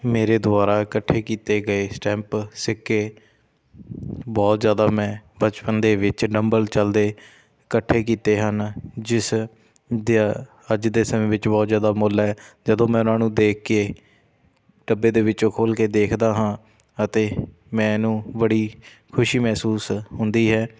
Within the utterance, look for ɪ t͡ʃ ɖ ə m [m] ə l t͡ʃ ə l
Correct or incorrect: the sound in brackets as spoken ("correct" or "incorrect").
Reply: incorrect